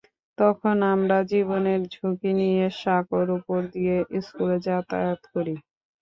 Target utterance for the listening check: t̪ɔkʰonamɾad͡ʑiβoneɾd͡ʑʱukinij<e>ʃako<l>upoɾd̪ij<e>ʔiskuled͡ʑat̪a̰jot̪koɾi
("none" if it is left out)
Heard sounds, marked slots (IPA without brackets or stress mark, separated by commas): e, ɾ, e